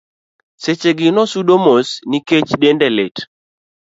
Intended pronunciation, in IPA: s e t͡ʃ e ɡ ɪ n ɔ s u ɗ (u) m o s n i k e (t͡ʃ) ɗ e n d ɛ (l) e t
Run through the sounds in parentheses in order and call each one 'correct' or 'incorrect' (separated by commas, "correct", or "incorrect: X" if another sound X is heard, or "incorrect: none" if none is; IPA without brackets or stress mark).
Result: incorrect: o, correct, correct